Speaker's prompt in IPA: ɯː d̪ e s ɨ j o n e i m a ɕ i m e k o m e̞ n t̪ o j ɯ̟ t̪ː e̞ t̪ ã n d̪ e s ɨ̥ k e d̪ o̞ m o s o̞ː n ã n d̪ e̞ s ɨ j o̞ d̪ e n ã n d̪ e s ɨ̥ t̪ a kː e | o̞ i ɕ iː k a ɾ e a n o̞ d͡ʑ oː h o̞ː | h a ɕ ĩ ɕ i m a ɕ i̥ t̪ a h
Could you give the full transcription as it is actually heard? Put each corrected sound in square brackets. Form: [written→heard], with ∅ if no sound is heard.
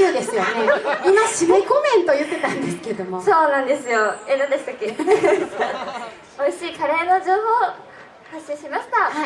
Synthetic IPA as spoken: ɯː d̪ e s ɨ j o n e i m a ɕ i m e k o m [e̞→ẽ̞] n t̪ o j ɯ̟ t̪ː e̞ t̪ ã n d̪ e s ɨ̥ k e d̪ o̞ m o s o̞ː n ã n d̪ e̞ s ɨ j o̞ [d̪→∅] e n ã n d̪ e s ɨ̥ t̪ a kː e | o̞ i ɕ iː k a ɾ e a n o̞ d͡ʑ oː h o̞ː | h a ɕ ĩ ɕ i m a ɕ i̥ t̪ a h